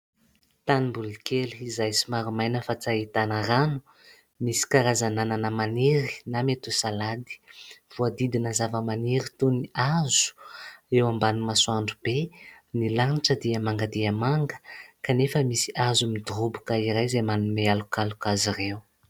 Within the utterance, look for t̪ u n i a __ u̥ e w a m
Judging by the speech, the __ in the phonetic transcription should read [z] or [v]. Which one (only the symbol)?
z